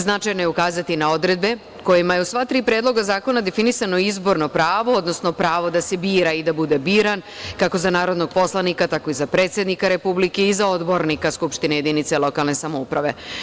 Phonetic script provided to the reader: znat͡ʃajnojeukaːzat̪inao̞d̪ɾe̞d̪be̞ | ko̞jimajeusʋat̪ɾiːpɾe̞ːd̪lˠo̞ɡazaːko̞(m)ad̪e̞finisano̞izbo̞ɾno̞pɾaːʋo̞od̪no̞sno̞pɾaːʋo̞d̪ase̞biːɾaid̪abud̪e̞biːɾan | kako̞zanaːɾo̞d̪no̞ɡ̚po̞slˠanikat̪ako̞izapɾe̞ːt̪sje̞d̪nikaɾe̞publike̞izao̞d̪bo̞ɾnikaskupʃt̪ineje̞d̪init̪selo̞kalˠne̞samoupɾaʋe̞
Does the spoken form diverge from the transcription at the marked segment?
yes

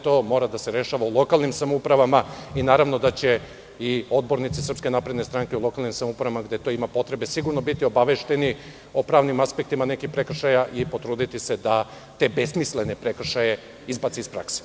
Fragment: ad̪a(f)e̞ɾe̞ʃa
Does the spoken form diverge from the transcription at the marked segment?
yes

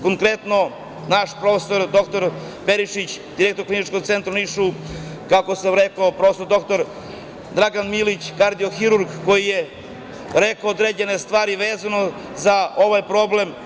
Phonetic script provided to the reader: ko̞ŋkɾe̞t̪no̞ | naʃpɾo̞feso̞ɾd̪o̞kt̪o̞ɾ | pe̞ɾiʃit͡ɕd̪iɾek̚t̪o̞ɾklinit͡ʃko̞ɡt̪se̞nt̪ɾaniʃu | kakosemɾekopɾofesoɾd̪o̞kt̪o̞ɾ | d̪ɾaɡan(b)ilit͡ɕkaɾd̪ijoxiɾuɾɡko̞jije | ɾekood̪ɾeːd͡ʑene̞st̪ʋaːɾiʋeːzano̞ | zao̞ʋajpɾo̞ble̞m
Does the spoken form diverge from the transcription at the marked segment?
yes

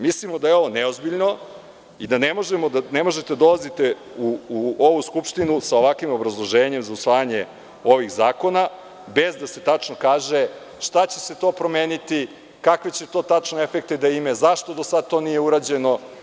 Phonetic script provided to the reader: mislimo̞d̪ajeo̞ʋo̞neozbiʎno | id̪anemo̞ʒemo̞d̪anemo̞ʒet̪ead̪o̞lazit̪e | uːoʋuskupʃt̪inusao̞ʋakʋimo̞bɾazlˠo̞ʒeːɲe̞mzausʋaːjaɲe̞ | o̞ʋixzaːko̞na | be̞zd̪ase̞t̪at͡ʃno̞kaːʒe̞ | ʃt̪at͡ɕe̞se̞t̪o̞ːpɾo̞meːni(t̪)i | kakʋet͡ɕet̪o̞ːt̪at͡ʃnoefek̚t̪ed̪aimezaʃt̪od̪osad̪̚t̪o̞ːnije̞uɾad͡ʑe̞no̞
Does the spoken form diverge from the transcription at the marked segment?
no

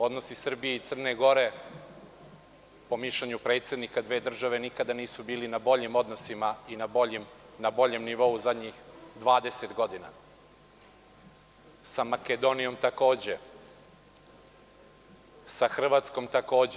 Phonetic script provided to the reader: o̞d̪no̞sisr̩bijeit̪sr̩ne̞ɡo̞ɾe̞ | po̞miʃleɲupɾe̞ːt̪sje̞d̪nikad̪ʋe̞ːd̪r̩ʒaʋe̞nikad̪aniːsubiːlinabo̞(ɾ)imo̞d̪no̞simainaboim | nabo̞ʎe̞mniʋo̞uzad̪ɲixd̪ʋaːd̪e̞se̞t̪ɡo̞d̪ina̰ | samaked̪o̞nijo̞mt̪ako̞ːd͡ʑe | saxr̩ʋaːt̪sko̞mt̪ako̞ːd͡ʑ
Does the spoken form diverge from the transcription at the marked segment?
yes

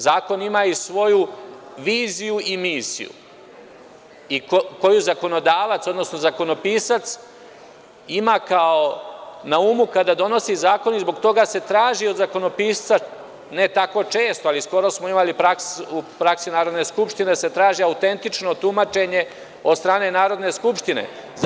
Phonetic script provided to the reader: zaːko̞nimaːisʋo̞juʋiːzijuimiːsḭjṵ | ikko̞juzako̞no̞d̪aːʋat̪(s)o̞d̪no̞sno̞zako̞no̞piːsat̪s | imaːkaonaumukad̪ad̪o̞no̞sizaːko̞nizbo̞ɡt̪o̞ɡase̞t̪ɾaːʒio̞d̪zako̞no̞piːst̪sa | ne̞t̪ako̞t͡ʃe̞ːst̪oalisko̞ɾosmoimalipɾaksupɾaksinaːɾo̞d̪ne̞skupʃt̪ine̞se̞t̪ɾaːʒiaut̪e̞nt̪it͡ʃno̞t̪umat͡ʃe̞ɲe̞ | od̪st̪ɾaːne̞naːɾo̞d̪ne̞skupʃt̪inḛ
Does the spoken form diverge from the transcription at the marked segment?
no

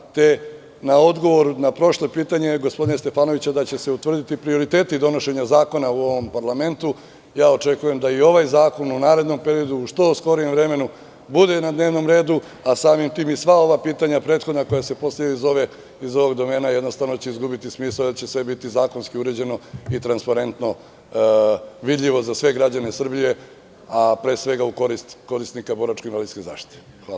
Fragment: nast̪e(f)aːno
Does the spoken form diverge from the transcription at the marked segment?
no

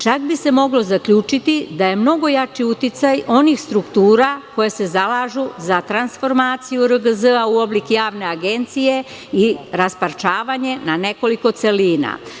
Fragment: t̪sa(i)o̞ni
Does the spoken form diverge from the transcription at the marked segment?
yes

